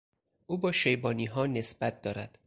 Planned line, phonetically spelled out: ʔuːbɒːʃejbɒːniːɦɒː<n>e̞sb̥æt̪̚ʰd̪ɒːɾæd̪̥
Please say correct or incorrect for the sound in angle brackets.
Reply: correct